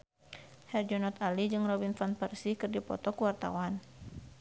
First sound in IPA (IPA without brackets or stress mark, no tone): h